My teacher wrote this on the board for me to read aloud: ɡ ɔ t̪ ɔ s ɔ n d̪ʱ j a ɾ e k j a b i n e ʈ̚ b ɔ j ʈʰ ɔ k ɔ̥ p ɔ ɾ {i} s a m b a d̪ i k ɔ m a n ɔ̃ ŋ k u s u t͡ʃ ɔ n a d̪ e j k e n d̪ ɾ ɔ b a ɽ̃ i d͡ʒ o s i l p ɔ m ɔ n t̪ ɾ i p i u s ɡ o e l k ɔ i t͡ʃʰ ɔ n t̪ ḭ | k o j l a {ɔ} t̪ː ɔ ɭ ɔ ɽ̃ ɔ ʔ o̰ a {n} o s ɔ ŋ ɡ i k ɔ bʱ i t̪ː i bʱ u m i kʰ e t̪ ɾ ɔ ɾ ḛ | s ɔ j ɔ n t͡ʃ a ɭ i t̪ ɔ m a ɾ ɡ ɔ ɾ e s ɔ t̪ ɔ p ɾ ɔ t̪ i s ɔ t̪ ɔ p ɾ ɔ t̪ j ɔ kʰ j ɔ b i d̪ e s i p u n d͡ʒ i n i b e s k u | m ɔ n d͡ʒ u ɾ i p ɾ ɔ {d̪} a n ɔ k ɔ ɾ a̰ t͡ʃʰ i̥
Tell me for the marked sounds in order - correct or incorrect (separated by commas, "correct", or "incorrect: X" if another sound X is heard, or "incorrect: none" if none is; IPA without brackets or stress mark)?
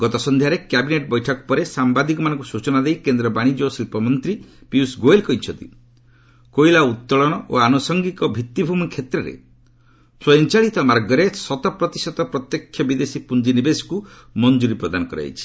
incorrect: e, incorrect: u, correct, correct